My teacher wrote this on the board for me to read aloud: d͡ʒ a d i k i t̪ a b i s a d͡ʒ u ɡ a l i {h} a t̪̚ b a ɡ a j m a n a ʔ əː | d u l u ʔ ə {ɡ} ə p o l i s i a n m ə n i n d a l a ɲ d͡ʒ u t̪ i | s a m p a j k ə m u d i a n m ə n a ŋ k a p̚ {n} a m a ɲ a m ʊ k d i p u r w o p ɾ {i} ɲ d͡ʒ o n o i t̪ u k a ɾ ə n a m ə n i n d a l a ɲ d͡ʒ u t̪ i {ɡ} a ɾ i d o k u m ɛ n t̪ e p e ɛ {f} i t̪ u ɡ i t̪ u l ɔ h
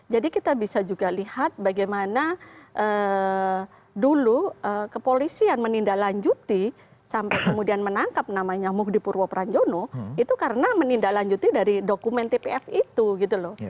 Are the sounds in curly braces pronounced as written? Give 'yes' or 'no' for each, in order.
yes, no, yes, no, no, yes

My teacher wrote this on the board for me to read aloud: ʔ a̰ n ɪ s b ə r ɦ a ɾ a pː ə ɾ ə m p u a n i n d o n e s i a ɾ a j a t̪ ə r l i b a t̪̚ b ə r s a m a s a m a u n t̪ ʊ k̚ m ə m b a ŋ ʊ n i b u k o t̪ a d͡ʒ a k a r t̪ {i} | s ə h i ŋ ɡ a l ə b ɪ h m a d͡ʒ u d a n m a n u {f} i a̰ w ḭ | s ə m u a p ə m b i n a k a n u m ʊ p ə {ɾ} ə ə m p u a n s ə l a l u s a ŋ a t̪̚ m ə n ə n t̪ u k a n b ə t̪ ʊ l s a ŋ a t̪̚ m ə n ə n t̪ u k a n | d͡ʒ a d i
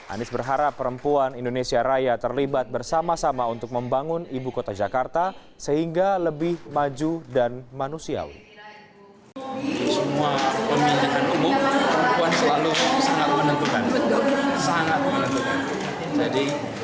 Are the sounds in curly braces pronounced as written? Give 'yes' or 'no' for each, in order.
no, no, yes

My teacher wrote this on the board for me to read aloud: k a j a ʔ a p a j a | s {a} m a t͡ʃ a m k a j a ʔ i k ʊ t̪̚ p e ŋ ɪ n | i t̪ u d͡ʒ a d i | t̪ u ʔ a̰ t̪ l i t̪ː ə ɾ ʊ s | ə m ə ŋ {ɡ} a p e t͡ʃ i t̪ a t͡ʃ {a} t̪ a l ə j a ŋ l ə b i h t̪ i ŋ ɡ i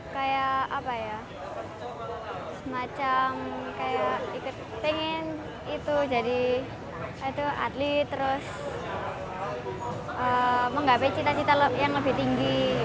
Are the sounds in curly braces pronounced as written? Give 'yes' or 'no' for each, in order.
no, yes, no

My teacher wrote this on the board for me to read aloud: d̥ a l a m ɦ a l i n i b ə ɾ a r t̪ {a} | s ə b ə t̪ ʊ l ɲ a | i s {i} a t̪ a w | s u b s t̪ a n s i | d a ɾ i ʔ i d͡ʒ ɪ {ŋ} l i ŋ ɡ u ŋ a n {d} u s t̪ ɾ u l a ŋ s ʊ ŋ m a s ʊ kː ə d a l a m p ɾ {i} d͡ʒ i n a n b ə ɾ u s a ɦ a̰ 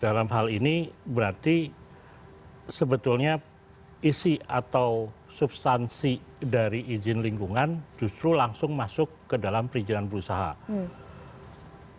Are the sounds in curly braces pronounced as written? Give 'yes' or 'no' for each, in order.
no, yes, no, no, yes

